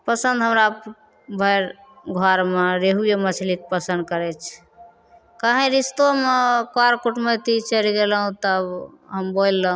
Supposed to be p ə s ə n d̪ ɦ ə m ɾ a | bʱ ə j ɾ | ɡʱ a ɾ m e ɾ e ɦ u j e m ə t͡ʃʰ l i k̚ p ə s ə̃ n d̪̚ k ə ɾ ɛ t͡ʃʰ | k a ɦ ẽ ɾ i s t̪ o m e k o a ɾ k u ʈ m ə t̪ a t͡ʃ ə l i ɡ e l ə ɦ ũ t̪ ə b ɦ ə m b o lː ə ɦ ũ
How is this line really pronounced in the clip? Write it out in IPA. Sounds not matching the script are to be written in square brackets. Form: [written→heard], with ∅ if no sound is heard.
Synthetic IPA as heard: p ə s ə n d̪ ɦ ə m ɾ a | bʱ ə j ɾ | ɡʱ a ɾ m e ɾ e ɦ u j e m ə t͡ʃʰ l i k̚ p ə s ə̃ n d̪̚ k ə ɾ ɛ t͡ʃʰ | k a ɦ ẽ ɾ i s t̪ o m e k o a ɾ k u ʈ m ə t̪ [a→i] t͡ʃ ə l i ɡ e l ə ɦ ũ t̪ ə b ɦ ə m b o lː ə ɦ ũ

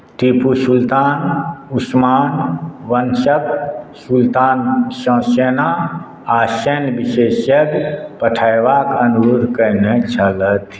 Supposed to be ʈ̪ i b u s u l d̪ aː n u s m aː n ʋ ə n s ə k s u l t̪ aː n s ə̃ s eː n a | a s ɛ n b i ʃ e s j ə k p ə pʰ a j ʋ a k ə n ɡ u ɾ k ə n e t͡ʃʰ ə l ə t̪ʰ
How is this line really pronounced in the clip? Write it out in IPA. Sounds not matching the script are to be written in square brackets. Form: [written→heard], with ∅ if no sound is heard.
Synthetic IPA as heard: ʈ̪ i [b→p] u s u l [d̪→t̪] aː n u s m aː n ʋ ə n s ə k s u l t̪ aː n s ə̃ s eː n a | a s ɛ n b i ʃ e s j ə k p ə [pʰ→ʈʰ] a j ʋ a k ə n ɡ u ɾ k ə n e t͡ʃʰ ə l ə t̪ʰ

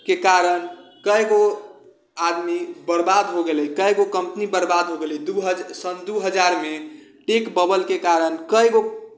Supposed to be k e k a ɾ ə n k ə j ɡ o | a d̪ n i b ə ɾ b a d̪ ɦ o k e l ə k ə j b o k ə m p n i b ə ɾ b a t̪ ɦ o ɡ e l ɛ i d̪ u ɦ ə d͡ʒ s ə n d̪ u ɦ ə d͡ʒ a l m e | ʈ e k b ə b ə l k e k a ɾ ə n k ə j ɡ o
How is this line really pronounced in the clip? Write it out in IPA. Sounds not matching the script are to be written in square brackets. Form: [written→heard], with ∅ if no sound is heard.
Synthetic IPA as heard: k e k a ɾ ə n k ə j ɡ o | a d̪ [n→m] i b ə ɾ b a d̪ ɦ o [k→ɡ] e l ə k ə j [b→ɡ] o k ə m p n i b ə ɾ b a [t̪→d̪] ɦ o ɡ e l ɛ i d̪ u ɦ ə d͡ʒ s ə n d̪ u ɦ ə d͡ʒ a [l→ɾ] m e | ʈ e k b ə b ə l k e k a ɾ ə n k ə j ɡ o

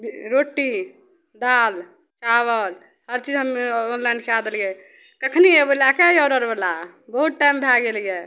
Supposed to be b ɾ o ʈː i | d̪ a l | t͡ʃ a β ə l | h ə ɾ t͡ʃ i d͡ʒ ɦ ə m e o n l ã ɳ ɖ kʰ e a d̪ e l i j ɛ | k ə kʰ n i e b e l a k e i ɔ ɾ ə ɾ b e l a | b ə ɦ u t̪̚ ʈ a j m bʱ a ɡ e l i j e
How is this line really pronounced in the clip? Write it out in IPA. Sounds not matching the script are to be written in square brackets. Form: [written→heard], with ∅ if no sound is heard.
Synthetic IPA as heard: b ɾ o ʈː i | d̪ a l | t͡ʃ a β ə l | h ə ɾ t͡ʃ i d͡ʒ ɦ ə m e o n l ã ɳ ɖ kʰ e a d̪ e l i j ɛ | k ə kʰ n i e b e l a k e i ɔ ɾ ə ɾ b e l a | b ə ɦ u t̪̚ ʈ a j m bʱ a ɡ e l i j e

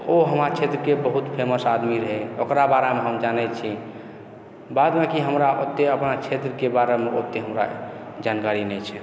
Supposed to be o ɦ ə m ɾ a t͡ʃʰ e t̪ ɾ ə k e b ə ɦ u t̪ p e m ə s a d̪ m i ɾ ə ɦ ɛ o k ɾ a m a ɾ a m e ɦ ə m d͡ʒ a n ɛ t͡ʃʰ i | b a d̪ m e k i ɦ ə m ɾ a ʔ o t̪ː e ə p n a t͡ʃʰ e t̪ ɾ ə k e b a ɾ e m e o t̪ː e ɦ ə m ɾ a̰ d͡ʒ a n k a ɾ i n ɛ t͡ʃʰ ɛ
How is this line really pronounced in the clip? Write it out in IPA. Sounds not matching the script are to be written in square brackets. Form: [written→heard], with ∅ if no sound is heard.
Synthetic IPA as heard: o ɦ ə m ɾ a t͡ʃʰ e t̪ ɾ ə k e b ə ɦ u t̪ [p→pʰ] e m ə s a d̪ m i ɾ ə ɦ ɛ o k ɾ a [m→b] a ɾ a m e ɦ ə m d͡ʒ a n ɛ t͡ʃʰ i | b a d̪ m e k i ɦ ə m ɾ a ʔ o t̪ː e ə p n a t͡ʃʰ e t̪ ɾ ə k e b a ɾ e m e o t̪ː e ɦ ə m ɾ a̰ d͡ʒ a n k a ɾ i n ɛ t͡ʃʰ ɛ

